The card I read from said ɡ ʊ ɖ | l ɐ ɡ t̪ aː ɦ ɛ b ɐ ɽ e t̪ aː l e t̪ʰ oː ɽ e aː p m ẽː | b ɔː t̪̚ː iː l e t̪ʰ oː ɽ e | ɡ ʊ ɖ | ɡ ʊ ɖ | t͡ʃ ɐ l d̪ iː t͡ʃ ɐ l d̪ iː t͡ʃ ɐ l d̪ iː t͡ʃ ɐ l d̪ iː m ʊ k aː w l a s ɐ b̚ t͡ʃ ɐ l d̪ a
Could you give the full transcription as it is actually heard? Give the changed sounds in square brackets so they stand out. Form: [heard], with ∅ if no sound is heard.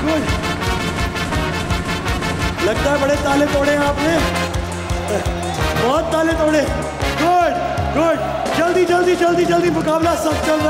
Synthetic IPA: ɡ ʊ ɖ | l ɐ ɡ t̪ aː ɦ ɛ b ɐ ɽ e t̪ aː l e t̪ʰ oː ɽ e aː p [n] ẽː | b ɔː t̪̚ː [aː] l e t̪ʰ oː ɽ e | ɡ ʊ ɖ | ɡ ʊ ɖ | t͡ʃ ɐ l d̪ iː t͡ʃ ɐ l d̪ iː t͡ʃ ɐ l d̪ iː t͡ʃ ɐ l d̪ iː m ʊ k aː [b] l a s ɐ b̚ t͡ʃ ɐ l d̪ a